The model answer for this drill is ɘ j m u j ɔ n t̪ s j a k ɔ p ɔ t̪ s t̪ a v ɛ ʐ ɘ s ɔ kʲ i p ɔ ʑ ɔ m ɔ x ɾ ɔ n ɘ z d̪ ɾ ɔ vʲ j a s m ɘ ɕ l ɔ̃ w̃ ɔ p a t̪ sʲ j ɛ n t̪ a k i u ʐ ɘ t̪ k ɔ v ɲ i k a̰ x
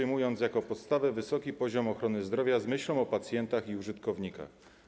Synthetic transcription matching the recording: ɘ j m u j ɔ n t̪ s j a k ɔ p ɔ t̪ s t̪ a v ɛ v ɘ s ɔ kʲ i p ɔ ʑ ɔ m ɔ x ɾ ɔ n ɘ z d̪ ɾ ɔ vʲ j a z m ɘ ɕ l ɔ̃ w̃ ɔ p a t̪ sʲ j ɛ n t̪ a x i u ʐ ɘ t̪ k ɔ v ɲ i k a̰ x